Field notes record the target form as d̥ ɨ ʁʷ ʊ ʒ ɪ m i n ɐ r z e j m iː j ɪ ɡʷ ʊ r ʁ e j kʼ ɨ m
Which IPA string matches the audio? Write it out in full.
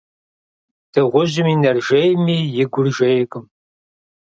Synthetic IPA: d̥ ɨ ʁʷ ʊ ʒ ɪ m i n ɐ r ʒ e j m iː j ɪ ɡʷ ʊ r ʒ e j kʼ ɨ m